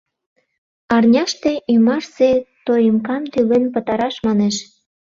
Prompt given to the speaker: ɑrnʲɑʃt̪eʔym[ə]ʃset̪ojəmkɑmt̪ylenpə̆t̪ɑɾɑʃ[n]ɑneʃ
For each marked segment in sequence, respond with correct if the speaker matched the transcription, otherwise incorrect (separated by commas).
incorrect, incorrect